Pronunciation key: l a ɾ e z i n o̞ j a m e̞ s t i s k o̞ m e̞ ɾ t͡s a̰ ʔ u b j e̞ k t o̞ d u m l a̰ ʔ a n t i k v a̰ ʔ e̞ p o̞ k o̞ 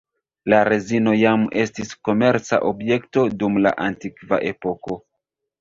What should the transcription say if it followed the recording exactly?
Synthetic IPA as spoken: l a ɾ e z i n o̞ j a m e̞ s t i s k o̞ m e̞ ɾ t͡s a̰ ʔ o b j e̞ k t o̞ d u m l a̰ ʔ a n t i k v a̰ ʔ e̞ p o̞ k o̞